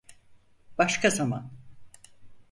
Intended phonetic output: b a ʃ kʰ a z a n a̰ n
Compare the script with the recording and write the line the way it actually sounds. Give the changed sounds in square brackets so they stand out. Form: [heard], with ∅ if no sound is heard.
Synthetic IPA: b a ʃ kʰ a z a [m] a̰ n

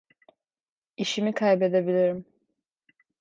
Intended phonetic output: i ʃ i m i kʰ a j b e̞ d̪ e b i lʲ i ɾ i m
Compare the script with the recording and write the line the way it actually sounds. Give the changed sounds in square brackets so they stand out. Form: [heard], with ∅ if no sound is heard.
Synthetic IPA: i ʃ i m i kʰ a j b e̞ d̪ e b i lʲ i ɾ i m

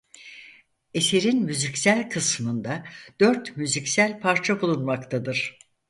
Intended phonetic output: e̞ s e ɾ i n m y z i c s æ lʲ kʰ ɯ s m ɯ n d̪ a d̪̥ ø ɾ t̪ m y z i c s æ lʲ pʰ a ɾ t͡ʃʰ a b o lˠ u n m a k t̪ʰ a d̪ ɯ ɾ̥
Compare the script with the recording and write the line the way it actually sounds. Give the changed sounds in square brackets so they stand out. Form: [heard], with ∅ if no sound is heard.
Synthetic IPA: e̞ s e ɾ i n m y z i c s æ lʲ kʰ ɯ s m ɯ n d̪ a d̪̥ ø ɾ t̪ m y z i c s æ lʲ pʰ a ɾ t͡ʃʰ a b [u] lˠ u n m a k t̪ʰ a d̪ ɯ ɾ̥

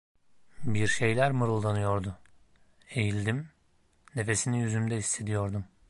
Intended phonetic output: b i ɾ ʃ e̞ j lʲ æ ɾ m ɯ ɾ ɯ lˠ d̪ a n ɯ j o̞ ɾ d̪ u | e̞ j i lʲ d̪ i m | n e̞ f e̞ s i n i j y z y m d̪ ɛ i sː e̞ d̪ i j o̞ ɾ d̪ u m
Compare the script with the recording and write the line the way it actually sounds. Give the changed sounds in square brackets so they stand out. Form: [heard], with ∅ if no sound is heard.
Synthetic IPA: b i ɾ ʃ e̞ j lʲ æ ɾ m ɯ ɾ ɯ lˠ d̪ a n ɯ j o̞ ɾ d̪ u | e̞ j i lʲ d̪ i m | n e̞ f e̞ s i n i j y z y m d̪ ɛ i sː e̞ d̪ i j o̞ ɾ d̪ u m

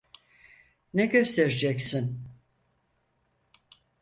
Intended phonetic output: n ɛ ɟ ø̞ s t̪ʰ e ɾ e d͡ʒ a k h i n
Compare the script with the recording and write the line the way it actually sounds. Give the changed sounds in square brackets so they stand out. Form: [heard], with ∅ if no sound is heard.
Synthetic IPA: n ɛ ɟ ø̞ s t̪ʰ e ɾ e d͡ʒ [ɛ] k [s] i n

